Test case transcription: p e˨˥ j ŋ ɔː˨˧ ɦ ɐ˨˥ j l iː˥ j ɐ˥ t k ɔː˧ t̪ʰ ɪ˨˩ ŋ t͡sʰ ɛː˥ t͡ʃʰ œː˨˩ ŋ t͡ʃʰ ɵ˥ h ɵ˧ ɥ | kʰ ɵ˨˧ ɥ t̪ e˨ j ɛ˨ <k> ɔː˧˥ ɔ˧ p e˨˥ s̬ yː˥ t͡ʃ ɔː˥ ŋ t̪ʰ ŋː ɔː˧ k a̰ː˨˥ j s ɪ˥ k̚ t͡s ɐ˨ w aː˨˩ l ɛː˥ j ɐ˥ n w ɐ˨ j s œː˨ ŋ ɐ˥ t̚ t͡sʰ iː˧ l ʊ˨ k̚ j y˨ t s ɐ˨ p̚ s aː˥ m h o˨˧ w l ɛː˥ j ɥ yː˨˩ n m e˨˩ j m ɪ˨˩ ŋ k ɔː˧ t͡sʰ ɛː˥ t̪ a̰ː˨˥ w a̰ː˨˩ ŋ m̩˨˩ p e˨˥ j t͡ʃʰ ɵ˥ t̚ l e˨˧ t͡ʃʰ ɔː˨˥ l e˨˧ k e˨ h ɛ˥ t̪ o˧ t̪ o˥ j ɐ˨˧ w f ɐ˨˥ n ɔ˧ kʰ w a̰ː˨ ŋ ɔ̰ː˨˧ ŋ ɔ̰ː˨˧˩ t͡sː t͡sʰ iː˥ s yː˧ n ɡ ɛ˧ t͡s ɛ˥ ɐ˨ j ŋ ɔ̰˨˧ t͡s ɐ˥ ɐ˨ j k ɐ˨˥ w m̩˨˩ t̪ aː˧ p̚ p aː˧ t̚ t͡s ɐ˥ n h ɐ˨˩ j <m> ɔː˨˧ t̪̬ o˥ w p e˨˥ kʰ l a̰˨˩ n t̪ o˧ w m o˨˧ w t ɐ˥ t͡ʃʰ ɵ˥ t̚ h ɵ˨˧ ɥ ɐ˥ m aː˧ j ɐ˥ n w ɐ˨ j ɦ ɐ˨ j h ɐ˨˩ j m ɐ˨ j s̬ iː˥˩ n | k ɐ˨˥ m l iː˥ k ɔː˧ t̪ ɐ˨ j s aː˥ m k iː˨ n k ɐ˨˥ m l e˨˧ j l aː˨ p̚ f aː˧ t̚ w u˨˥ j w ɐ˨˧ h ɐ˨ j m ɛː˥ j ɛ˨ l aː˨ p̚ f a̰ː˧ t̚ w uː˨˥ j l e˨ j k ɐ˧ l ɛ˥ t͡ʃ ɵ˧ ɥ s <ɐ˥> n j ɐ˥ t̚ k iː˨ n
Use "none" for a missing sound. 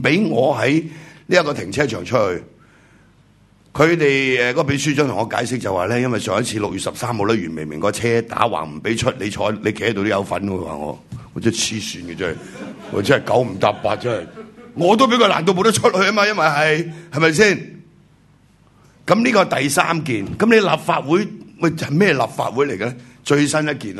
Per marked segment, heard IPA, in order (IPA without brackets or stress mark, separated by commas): k, ŋ, ɐ˥